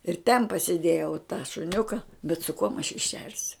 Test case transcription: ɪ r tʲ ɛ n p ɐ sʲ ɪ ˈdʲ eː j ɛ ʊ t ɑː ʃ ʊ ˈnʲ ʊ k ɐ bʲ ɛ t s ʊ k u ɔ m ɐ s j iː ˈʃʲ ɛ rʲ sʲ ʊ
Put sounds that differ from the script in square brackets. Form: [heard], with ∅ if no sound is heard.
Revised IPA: ɪ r tʲ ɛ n p ɐ sʲ ɪ ˈdʲ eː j ɛ ʊ t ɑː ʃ ʊ ˈnʲ ʊ k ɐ bʲ ɛ t s ʊ k u ɔ m ɐ [ʃ] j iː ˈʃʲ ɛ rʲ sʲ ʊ

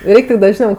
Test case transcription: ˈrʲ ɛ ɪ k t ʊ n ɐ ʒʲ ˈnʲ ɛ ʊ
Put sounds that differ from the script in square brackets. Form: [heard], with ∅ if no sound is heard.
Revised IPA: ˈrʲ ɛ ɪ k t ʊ [d] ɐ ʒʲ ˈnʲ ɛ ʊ

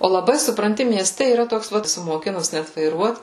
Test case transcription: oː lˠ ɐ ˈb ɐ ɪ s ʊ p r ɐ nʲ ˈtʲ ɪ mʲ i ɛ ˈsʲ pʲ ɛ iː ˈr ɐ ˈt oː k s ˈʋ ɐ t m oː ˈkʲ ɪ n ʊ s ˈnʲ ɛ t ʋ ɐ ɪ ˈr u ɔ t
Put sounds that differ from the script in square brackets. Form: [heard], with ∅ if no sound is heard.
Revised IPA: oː lˠ ɐ ˈb ɐ ɪ s ʊ p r ɐ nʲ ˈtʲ ɪ mʲ i ɛ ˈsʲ [tʲ] ɛ iː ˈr ɐ ˈt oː k s ˈʋ ɐ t m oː ˈkʲ ɪ n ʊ s ˈnʲ ɛ t ʋ ɐ ɪ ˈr u ɔ t

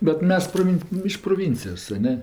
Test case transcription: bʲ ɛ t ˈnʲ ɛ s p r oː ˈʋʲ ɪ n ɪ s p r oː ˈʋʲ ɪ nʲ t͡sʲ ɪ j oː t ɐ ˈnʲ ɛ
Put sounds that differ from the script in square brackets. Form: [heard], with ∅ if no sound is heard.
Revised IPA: bʲ ɛ t [ˈmʲ] ɛ s p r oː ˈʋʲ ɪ n ɪ [ʃ] p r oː ˈʋʲ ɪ nʲ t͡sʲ ɪ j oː [s] ɐ ˈnʲ ɛ

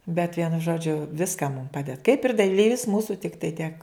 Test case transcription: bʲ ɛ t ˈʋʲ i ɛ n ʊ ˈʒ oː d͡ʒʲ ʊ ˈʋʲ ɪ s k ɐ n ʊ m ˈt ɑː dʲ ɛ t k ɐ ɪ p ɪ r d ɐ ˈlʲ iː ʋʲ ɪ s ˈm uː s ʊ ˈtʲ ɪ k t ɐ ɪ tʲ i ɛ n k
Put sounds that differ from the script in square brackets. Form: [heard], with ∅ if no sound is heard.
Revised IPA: bʲ ɛ t ˈʋʲ i ɛ n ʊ ˈʒ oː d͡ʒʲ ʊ ˈʋʲ ɪ s k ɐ [m] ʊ m [ˈp] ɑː dʲ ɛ t k ɐ ɪ p ɪ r d ɐ ˈlʲ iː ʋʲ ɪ s ˈm uː s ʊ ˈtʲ ɪ k t ɐ ɪ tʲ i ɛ [∅] k

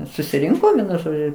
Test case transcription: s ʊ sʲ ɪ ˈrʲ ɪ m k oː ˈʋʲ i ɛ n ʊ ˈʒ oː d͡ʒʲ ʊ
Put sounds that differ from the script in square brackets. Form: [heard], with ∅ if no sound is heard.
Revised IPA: s ʊ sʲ ɪ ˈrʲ ɪ [ŋ] k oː ˈʋʲ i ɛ n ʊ ˈʒ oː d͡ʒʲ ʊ

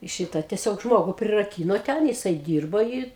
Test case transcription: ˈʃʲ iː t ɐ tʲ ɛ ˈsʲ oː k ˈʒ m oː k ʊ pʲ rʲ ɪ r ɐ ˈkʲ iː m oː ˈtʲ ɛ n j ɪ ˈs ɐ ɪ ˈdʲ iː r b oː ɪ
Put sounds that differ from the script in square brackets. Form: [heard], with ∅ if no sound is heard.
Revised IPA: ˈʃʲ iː t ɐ tʲ ɛ ˈsʲ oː k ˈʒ m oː [ɡ] ʊ pʲ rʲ ɪ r ɐ ˈkʲ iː [n] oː ˈtʲ ɛ n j ɪ ˈs ɐ ɪ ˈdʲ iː r b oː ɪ

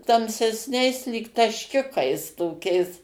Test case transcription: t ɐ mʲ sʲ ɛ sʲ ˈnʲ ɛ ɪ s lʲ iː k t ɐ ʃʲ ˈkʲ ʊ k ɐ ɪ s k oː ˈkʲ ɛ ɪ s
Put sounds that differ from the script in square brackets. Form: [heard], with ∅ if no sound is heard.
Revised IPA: t ɐ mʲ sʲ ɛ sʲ ˈnʲ ɛ ɪ s lʲ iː k t ɐ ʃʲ ˈkʲ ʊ k ɐ ɪ s [t] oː ˈkʲ ɛ ɪ s

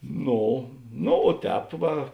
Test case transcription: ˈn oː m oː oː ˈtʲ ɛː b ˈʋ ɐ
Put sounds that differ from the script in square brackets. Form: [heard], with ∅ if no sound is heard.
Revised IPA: ˈn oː [n] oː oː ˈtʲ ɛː [p] ˈʋ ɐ

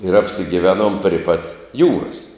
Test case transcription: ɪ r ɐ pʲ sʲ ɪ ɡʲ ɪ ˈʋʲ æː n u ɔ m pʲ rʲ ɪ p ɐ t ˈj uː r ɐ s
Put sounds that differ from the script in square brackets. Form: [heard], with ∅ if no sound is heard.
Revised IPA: ɪ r ɐ pʲ sʲ ɪ ɡʲ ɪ ˈʋʲ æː n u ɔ m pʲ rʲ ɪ p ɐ t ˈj uː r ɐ s

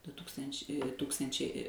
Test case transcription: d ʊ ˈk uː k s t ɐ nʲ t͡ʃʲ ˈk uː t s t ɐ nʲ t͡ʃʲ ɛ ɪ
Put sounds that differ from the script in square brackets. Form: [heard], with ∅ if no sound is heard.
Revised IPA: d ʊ [ˈt] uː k s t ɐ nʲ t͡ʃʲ [ˈt] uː [k] s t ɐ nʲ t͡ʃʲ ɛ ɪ

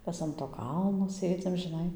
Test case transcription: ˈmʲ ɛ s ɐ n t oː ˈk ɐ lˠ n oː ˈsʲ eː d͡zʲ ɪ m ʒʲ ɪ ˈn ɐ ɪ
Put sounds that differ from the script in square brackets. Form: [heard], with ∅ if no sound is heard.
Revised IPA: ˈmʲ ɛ s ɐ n t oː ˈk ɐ lˠ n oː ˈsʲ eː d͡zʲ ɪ m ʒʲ ɪ ˈn ɐ ɪ

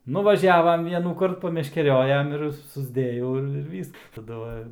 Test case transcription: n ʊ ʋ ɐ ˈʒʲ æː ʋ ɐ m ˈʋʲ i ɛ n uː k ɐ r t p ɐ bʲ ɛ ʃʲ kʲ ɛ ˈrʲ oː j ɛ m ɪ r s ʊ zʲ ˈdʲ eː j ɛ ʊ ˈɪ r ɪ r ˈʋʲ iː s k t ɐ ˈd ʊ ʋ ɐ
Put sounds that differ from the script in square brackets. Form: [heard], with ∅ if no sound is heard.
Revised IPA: n ʊ ʋ ɐ ˈʒʲ æː ʋ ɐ m ˈʋʲ i ɛ n uː k ɐ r t p ɐ [mʲ] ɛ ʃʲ kʲ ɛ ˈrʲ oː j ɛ m ɪ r s ʊ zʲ ˈdʲ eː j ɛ ʊ ˈɪ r ɪ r ˈʋʲ iː s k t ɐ ˈd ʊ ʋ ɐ

